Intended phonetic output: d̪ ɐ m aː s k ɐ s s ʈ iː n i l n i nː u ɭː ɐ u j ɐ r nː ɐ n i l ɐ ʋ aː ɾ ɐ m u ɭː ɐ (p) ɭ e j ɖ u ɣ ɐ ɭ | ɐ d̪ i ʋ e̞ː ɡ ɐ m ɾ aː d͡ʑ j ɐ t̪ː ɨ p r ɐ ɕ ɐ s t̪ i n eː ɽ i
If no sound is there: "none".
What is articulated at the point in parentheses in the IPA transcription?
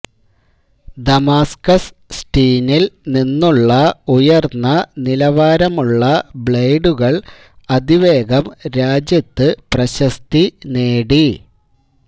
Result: b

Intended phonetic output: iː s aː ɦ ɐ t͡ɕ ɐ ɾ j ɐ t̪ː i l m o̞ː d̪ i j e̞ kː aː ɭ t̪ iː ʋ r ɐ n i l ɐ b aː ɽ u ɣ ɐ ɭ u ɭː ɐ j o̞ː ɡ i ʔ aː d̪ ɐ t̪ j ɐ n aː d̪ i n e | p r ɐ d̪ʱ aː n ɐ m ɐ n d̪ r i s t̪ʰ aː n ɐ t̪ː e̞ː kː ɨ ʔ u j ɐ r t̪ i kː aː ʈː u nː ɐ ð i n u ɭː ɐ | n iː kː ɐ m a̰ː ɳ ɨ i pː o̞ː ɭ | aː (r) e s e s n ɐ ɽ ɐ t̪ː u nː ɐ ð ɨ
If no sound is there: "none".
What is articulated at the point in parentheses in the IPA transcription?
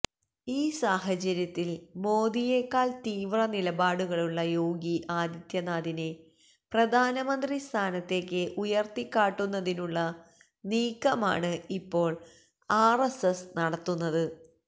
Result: r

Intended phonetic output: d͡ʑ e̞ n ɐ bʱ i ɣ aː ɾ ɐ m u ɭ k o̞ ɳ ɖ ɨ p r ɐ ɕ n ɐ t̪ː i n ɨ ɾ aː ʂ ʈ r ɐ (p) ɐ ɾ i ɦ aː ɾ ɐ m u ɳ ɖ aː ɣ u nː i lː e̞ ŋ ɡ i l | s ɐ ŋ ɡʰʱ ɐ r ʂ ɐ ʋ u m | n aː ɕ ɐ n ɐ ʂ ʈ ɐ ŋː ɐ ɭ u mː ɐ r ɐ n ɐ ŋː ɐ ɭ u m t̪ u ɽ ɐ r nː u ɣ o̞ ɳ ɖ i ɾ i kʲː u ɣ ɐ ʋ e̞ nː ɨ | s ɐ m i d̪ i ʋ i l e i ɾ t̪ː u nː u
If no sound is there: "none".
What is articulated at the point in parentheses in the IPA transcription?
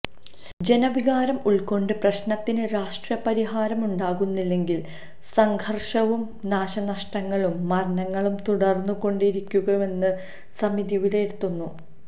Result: p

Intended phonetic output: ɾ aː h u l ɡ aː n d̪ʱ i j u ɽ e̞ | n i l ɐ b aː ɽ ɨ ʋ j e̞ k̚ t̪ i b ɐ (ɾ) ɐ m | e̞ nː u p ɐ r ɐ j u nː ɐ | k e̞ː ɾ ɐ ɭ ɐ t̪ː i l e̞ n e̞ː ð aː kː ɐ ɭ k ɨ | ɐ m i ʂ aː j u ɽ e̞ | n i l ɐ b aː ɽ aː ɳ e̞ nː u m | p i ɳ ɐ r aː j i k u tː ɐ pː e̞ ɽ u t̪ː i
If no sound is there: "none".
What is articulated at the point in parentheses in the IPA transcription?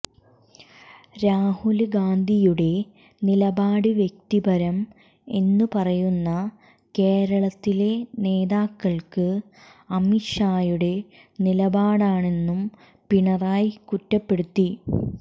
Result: ɾ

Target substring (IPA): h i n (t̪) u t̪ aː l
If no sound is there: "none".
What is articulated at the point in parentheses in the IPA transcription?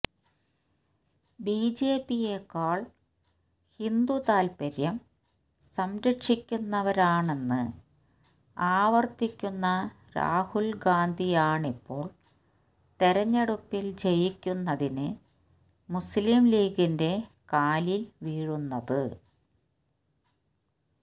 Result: d̪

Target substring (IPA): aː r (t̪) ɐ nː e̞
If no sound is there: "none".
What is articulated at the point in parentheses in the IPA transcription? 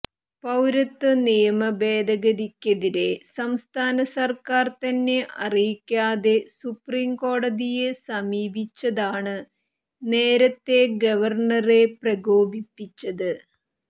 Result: t̪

